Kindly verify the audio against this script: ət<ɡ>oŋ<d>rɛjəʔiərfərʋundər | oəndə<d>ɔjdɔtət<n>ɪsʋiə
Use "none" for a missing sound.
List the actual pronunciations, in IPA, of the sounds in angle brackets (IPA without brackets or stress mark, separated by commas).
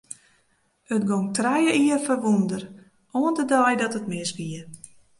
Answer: ɡ, t, d, m